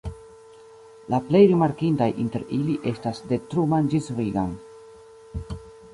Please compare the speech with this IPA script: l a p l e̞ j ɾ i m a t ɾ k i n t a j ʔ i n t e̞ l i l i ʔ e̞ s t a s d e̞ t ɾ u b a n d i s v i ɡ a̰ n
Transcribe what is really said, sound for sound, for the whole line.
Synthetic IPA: l a p l e̞ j ɾ i m a ɾ k i n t a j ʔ i n t e̞ ɾ i l i ʔ e̞ s t a s d e̞ t ɾ u m a n d͡ʒ i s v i ɡ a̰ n